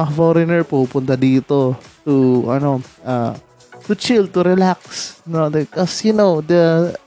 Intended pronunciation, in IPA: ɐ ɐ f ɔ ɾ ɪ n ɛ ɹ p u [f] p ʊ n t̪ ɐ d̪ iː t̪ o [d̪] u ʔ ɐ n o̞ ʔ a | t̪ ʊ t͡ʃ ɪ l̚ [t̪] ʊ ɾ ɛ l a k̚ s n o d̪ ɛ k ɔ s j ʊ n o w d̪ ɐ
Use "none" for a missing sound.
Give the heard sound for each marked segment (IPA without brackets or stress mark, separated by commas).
none, t̪, t̪